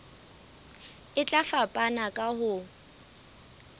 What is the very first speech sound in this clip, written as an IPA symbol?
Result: ɪ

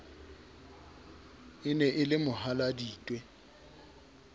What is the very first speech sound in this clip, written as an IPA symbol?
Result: ɪ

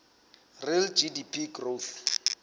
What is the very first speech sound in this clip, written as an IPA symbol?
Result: r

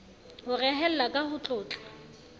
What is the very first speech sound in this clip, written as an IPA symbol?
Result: h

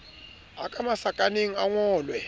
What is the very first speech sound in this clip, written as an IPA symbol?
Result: a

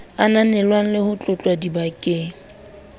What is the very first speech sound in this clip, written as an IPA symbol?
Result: a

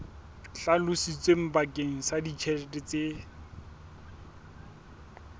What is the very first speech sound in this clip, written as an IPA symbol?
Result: ɬ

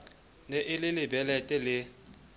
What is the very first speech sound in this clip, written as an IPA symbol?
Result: n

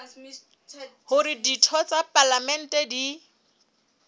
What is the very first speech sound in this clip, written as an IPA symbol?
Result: h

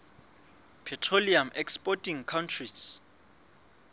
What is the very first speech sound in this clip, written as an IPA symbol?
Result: pʰ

